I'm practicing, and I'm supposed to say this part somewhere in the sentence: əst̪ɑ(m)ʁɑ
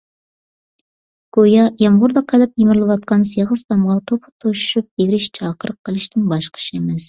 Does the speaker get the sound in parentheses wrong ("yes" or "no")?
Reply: no